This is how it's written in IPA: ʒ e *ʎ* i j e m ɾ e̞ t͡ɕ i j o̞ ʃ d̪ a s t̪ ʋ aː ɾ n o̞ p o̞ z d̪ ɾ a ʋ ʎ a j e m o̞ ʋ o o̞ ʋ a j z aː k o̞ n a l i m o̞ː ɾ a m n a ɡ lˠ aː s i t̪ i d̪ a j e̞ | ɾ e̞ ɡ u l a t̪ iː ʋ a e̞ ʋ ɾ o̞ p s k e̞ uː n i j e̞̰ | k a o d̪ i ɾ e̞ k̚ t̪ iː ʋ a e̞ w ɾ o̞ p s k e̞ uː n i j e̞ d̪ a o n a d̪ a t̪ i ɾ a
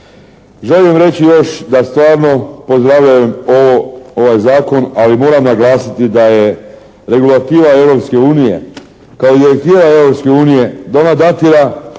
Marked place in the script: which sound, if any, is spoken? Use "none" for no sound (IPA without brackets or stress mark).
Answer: l